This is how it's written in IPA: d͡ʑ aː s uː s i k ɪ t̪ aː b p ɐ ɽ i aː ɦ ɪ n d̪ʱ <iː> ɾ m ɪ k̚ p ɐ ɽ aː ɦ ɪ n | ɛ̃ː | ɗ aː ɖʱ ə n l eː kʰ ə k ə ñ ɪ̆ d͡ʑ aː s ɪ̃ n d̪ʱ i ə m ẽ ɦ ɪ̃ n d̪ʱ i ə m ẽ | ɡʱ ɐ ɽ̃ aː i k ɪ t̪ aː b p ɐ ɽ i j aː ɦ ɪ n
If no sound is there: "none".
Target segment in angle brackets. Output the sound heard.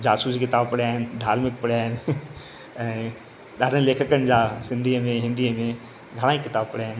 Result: aː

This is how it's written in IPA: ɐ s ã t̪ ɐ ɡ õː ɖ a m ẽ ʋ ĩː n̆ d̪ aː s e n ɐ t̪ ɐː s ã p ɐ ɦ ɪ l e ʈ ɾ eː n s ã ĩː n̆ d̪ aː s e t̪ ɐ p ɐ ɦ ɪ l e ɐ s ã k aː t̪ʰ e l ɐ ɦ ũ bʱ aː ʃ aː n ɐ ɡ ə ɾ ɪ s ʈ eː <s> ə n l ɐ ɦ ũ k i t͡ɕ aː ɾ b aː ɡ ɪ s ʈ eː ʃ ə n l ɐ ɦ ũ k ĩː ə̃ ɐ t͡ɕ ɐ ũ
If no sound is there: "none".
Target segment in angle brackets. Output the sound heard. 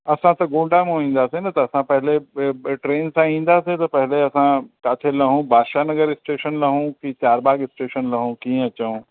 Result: ʃ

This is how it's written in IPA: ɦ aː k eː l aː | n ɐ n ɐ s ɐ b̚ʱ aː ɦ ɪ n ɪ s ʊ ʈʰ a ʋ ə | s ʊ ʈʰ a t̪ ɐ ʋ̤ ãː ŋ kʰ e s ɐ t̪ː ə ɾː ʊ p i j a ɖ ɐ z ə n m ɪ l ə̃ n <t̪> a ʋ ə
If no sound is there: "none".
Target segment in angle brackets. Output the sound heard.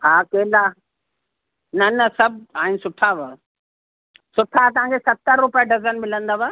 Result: d̪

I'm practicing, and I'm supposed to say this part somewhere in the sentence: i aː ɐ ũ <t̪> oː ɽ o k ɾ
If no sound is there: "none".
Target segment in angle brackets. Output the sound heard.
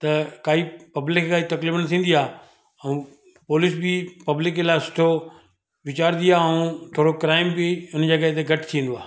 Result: t̪ʰ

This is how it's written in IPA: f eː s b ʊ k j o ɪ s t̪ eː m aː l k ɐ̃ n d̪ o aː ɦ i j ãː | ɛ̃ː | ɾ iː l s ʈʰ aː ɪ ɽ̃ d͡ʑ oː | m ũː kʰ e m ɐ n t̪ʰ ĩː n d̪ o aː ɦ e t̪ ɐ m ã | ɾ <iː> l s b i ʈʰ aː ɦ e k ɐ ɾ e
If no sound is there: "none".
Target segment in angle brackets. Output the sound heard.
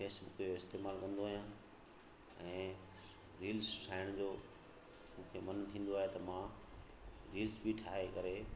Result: iː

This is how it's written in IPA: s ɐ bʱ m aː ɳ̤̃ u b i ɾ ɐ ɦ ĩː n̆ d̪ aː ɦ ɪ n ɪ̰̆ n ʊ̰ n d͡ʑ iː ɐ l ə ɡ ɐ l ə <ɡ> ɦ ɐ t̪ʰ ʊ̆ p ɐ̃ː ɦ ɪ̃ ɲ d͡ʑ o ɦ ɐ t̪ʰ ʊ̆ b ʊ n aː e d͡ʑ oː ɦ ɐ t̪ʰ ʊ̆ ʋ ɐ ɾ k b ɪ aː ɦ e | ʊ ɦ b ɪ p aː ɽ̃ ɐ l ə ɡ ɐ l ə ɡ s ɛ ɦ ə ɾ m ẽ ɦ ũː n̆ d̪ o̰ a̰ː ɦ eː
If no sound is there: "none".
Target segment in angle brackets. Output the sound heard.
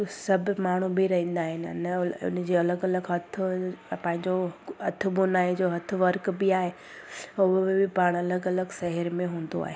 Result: ɡ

